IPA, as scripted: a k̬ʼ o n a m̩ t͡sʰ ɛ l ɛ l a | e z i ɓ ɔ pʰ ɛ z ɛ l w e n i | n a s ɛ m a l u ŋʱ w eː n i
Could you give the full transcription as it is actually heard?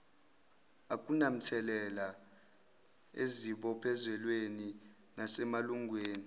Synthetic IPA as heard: a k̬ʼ u n a m̩ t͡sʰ ɛ l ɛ l a | e z i ɓ ɔ pʰ ɛ z ɛ l w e n i | n a s ɛ m a l u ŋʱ w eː n i